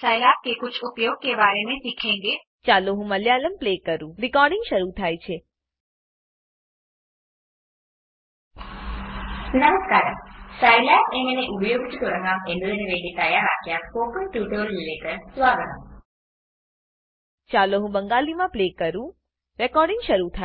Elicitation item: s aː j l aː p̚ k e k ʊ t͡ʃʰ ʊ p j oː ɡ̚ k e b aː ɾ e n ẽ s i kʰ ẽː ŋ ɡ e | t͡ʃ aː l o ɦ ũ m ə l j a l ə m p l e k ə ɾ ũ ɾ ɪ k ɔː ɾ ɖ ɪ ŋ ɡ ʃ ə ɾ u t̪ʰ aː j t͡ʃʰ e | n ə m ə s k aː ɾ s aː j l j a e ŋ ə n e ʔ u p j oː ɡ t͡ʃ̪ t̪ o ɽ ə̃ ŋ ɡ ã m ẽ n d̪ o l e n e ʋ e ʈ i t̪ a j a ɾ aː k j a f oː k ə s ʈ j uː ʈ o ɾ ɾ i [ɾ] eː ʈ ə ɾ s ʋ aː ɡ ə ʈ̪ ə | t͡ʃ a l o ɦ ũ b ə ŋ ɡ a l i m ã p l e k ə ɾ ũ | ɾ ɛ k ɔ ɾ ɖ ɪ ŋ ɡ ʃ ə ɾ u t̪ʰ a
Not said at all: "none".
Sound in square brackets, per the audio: l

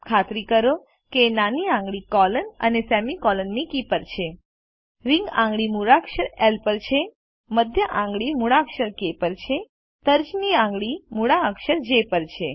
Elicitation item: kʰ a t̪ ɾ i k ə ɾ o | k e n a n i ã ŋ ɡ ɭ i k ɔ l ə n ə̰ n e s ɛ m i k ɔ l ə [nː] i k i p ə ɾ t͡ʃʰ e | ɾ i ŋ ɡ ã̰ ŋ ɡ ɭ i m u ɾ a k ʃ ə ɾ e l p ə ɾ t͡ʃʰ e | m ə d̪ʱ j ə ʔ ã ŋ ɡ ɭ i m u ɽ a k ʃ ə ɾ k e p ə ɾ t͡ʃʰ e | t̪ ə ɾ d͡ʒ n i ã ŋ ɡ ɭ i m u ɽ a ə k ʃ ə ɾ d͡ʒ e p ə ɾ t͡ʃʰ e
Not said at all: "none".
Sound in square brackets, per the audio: nː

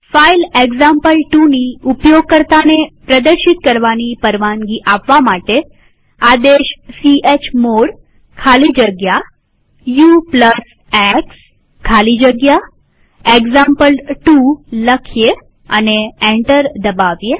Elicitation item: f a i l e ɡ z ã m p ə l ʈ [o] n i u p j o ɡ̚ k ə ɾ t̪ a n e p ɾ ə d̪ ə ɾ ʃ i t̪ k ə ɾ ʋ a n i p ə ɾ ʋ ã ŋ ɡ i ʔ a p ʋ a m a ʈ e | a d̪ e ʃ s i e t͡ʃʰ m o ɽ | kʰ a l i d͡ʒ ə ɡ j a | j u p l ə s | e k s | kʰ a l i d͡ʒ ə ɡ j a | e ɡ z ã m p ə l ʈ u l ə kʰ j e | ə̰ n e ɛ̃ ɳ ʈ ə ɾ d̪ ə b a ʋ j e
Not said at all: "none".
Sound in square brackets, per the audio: u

